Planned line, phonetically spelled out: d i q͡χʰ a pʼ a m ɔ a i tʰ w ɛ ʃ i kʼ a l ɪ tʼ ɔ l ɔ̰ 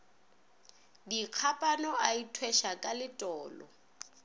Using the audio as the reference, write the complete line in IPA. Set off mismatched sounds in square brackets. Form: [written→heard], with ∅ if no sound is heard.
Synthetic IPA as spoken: d i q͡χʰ a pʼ a [m→n] ɔ a i tʰ w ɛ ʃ [i→a] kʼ a l ɪ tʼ [ɔ→ɔː] l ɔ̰